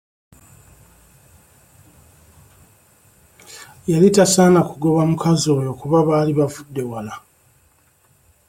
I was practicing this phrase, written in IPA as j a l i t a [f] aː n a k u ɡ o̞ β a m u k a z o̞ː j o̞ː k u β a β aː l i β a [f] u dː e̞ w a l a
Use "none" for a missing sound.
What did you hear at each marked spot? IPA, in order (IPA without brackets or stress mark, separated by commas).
s, v